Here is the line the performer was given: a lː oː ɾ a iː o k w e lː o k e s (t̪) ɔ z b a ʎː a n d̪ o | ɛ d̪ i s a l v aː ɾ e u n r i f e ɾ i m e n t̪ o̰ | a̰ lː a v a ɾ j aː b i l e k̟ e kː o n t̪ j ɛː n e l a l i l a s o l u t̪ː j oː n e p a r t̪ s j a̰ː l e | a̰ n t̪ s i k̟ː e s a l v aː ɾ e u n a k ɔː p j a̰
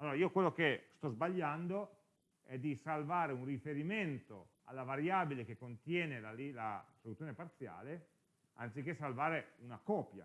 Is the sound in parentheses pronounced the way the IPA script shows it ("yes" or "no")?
yes